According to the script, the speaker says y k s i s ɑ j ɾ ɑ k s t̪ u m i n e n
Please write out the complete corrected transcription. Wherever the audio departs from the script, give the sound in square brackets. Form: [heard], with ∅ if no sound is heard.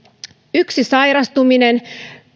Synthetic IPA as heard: y k s i s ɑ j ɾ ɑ [∅] s t̪ u m i n e n